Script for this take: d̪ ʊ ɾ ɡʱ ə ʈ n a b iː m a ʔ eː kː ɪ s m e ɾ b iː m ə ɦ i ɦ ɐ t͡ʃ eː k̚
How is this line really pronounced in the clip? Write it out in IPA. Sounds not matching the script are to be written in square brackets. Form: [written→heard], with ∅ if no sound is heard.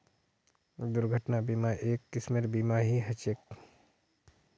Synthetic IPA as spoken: d̪ ʊ ɾ ɡʱ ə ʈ n a b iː m a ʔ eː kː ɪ s m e ɾ b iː m [ə→a] ɦ i ɦ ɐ t͡ʃ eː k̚